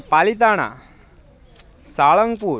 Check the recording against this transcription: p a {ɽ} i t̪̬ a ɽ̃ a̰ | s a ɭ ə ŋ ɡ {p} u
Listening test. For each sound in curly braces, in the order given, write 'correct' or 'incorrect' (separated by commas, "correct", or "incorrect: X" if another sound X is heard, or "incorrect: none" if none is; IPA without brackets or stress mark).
incorrect: l, correct